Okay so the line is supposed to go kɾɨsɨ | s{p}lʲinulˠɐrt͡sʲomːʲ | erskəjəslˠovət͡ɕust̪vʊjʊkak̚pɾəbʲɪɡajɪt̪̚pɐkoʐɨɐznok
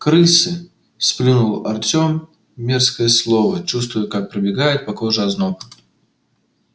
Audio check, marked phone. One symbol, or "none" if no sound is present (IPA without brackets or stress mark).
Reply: p